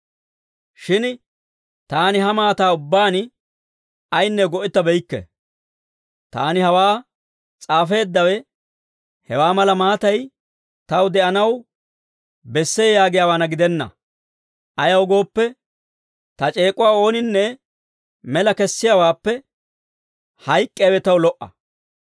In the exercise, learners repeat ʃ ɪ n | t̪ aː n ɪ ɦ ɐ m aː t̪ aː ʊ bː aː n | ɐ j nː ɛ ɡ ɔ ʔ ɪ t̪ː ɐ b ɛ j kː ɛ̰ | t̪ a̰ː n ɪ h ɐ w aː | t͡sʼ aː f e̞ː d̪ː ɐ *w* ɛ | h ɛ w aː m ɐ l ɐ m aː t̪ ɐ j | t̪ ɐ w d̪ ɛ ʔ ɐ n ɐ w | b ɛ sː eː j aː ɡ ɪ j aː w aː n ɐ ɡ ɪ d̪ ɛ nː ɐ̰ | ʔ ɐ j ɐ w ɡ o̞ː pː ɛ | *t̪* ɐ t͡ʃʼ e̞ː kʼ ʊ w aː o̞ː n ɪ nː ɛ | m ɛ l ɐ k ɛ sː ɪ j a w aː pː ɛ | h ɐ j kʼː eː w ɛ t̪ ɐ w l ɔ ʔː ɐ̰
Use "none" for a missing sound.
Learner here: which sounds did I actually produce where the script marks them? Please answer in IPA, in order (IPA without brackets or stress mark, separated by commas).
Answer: w, t̪